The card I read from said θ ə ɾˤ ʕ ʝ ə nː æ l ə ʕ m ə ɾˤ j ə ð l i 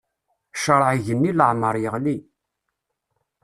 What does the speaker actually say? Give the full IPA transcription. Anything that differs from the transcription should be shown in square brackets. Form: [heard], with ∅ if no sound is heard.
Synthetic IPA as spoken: [ʃ] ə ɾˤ ʕ ʝ ə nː [i] l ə ʕ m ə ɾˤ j ə [ʁ] l i